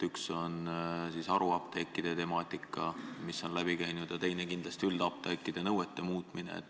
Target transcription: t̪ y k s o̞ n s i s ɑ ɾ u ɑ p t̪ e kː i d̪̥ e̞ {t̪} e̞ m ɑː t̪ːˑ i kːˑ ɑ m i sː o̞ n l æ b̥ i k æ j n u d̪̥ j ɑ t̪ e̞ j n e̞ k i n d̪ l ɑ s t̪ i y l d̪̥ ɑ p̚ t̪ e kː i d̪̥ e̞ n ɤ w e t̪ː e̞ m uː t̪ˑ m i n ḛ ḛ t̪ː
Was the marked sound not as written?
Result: no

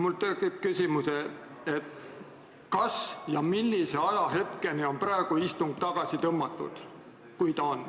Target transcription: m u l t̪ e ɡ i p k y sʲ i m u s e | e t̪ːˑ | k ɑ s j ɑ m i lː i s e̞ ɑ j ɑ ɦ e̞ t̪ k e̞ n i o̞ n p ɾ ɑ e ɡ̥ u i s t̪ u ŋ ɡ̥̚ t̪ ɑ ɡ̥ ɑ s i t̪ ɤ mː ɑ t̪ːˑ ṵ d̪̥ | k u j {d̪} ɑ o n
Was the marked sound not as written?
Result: yes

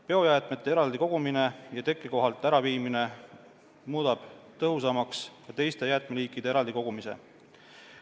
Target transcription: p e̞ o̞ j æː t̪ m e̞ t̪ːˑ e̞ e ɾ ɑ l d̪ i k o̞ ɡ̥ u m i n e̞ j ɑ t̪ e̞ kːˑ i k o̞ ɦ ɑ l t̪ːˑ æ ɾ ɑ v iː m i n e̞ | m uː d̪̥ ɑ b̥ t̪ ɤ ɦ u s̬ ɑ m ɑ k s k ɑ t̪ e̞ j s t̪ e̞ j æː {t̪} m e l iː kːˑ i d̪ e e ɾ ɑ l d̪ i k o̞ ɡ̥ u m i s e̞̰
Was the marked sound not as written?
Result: no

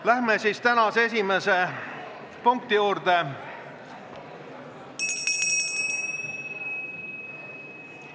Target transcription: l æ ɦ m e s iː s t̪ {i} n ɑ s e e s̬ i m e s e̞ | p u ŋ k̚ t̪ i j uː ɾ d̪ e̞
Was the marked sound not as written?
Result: yes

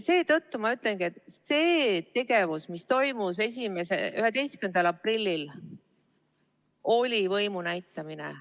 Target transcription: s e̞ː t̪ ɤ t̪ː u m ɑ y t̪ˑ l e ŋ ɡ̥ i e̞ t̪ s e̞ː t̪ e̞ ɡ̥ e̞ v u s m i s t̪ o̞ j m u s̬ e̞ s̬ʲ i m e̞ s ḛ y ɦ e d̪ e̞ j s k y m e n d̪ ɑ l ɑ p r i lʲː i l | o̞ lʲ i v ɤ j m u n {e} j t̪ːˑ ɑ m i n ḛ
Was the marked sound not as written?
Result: yes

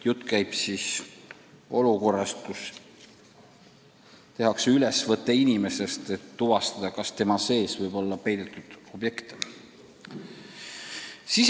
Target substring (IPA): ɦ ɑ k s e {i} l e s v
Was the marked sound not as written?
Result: yes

